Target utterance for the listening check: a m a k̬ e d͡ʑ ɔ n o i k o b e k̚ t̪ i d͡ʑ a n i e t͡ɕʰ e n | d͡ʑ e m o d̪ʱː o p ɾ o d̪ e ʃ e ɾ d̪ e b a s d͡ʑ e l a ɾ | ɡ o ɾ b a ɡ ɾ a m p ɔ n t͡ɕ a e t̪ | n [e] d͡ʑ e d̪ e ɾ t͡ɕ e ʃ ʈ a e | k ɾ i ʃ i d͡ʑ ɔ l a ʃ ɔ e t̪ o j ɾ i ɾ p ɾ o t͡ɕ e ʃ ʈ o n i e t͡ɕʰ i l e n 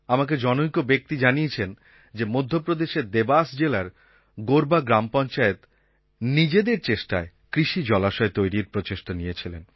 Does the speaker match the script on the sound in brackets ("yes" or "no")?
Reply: no